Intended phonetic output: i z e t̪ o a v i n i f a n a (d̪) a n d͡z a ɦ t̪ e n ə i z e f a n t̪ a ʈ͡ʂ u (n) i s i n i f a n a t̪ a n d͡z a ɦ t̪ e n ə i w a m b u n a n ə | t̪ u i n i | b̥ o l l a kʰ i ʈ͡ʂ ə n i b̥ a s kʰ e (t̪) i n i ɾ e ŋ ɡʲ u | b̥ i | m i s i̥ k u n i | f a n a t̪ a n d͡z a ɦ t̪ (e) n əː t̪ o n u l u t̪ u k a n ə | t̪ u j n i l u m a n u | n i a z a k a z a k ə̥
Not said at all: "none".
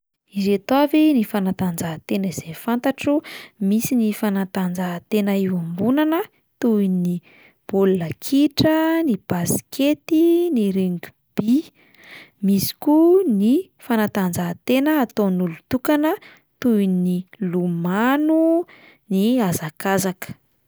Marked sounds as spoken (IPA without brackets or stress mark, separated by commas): t̪, m, t̪, e